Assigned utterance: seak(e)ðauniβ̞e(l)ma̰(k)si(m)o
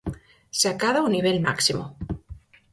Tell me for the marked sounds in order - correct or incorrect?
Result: incorrect: a, correct, correct, correct

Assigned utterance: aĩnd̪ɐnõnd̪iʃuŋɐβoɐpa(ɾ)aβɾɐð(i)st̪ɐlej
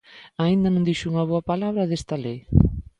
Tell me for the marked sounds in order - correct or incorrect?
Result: incorrect: l, incorrect: e

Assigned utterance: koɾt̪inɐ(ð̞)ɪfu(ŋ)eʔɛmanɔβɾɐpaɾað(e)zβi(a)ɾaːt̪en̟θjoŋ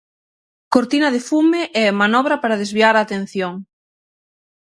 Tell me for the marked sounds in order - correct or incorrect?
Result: correct, incorrect: m, correct, correct

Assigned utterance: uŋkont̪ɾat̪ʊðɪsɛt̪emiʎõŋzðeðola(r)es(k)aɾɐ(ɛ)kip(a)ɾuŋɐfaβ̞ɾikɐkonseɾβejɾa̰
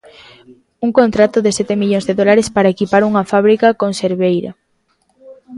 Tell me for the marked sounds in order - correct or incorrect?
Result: incorrect: ɾ, incorrect: p, incorrect: e, correct

